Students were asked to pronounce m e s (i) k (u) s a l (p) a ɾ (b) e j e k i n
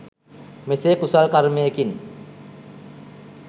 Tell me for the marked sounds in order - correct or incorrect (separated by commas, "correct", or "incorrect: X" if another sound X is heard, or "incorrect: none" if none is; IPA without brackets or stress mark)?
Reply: incorrect: e, correct, incorrect: k, incorrect: m